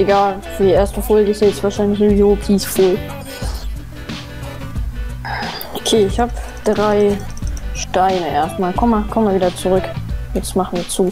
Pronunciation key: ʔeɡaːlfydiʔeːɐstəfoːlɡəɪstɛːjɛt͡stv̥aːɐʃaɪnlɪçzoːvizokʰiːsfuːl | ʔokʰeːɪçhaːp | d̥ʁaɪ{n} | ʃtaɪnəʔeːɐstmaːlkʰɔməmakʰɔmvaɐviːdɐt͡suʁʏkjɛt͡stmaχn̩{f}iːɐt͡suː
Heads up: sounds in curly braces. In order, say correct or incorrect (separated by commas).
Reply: incorrect, incorrect